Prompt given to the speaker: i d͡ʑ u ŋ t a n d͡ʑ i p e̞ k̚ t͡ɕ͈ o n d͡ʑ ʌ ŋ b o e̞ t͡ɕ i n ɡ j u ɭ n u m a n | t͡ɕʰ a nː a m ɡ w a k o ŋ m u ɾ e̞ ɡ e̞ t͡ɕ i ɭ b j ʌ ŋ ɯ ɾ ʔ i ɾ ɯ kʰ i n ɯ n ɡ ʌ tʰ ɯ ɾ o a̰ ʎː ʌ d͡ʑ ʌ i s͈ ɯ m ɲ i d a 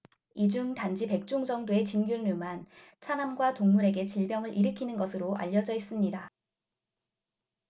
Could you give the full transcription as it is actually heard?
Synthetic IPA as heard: i d͡ʑ u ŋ t a n d͡ʑ i p e̞ k̚ t͡ɕ͈ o ŋ d͡ʑ ʌ ŋ d o e̞ t͡ɕ i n ɡ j u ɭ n u m a n | t͡ɕʰ a n a m ɡ w a t o ŋ m u ɾ e̞ ɡ e̞ t͡ɕ i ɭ b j ʌ ŋ ɯ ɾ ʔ i ɾ ɯ kʰ i n ɯ n ɡ ʌ sʰ ɯ ɾ o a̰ ʎː ʌ d͡ʑ ʌ i s͈ ɯ m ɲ i d a